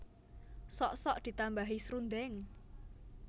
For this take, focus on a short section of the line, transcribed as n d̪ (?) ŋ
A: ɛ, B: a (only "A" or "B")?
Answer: A